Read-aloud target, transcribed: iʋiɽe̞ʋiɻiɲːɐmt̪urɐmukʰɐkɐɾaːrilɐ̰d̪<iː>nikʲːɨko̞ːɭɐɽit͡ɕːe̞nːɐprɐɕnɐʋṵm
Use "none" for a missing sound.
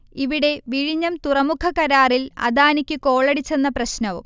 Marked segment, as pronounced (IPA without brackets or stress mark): aː